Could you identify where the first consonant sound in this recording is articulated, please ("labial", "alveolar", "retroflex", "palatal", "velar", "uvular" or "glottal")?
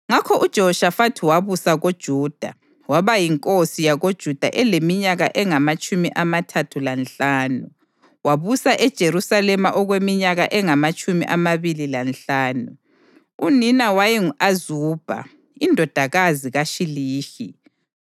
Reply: velar